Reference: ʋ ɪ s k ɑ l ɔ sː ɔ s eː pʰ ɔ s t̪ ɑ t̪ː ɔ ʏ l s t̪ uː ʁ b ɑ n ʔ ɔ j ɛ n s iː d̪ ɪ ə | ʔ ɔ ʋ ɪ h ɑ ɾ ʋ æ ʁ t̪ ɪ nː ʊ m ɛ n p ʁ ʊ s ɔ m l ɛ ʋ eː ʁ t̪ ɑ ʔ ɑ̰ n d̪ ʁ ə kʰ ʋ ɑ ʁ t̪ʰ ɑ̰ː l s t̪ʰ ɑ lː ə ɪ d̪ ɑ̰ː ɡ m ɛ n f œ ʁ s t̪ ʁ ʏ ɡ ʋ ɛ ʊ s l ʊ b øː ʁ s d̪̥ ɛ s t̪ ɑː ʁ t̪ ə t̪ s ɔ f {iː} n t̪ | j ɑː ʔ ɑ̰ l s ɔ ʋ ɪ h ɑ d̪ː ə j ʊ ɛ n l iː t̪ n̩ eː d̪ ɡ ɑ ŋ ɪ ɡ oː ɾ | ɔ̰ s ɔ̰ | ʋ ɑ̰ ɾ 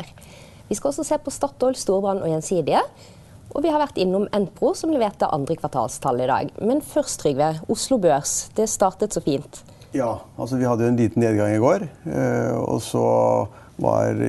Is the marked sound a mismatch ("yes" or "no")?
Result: no